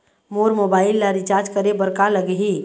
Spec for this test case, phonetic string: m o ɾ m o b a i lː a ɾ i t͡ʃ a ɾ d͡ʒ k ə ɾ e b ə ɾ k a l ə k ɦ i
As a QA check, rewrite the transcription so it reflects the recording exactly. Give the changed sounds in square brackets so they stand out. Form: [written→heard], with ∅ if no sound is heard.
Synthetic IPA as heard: m o ɾ m o b a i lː a ɾ i t͡ʃ a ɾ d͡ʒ k ə ɾ e b ə ɾ k a l ə [k→ɡ] ɦ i